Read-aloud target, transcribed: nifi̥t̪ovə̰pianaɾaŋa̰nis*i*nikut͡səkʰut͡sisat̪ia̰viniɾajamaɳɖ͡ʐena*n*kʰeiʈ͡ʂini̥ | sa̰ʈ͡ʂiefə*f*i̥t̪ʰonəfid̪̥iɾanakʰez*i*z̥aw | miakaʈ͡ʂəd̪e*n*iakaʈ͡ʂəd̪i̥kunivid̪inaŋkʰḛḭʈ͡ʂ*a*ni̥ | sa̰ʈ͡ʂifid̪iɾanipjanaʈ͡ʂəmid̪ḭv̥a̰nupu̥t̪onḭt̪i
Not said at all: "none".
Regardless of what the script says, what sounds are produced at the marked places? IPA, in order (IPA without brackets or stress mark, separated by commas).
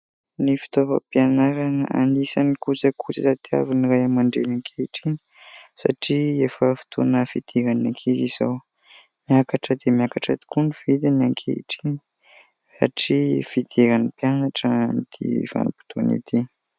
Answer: a, ŋ, f, i, m, i